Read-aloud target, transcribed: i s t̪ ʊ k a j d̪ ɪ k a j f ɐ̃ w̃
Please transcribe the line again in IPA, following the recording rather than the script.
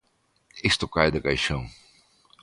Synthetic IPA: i s t̪ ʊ k a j d̪ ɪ k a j ʃ ɐ̃ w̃